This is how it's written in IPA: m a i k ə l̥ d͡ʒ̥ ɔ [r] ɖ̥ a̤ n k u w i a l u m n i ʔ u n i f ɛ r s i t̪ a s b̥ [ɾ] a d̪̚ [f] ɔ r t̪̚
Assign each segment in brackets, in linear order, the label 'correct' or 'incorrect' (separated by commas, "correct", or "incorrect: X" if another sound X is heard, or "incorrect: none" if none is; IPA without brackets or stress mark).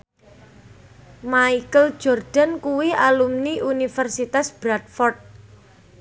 correct, correct, correct